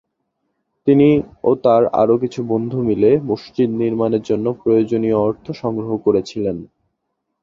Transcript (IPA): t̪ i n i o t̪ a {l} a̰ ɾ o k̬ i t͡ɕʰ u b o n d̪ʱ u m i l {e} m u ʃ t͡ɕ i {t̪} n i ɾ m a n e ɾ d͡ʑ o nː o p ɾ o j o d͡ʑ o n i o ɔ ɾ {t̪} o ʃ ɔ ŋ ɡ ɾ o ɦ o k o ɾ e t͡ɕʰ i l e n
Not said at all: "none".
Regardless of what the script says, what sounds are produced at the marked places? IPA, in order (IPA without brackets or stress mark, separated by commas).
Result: ɾ, e, d̪, t̪ʰ